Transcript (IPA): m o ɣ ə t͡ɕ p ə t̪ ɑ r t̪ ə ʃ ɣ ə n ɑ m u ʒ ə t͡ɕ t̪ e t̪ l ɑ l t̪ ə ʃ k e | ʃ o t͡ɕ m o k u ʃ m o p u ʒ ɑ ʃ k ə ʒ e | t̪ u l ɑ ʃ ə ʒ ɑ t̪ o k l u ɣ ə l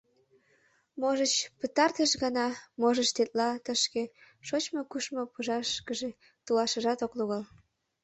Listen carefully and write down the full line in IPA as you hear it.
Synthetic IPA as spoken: m o ʒ ə t͡ɕ p ə t̪ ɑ r t̪ ə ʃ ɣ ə n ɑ m o ʒ ə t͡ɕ t̪ e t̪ l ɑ t̪ ə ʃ k e | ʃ o t͡ɕ m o k u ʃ m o p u ʒ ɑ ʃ k ə ʒ e | t̪ u l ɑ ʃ ə ʒ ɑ t̪ o k l u ɣ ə l